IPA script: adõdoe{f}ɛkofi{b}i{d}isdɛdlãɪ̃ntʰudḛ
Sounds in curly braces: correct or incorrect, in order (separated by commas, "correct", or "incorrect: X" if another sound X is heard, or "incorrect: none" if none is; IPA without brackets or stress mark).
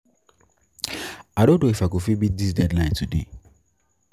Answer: correct, correct, correct